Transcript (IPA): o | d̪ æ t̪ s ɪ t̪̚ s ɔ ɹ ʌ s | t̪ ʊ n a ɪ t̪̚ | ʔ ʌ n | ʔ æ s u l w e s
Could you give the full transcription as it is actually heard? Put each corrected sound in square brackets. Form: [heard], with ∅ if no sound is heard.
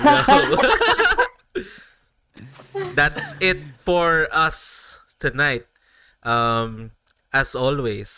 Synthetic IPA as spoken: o | d̪ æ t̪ s ɪ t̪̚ [f] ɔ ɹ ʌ s | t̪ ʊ n a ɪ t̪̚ | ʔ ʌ [m] | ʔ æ s [ɔ] l w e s